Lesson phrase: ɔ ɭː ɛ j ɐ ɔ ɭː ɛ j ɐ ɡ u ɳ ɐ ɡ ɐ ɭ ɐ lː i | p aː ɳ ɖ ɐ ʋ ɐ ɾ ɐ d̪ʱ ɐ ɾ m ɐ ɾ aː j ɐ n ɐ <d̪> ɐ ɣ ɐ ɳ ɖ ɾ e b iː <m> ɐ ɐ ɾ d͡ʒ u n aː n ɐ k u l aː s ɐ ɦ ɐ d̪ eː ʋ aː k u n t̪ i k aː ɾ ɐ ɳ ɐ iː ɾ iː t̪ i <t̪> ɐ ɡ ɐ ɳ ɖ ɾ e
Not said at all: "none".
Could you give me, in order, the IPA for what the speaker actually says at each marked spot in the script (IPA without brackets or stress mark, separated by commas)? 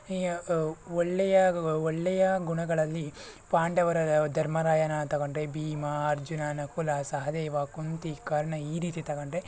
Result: t̪, m, t̪